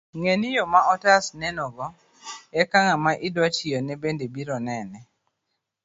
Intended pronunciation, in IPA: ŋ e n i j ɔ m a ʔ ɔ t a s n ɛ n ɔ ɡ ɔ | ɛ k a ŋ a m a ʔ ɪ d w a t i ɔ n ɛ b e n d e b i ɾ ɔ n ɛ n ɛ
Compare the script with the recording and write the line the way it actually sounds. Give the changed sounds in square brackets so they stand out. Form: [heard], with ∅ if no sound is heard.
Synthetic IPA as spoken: ŋ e n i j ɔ m a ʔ ɔ t a s n ɛ n ɔ ɡ ɔ | ɛ k a ŋ a m a ʔ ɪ d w a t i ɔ n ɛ b e n d e b i ɾ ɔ n ɛ n ɛ